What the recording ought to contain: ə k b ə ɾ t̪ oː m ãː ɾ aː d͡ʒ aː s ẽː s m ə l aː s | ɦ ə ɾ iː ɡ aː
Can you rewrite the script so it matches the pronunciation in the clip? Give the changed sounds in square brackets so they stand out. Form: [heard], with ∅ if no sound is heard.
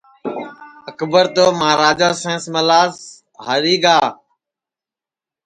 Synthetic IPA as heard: ə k b ə ɾ t̪ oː m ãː ɾ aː d͡ʒ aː s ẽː s m ə l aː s | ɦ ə ɾ iː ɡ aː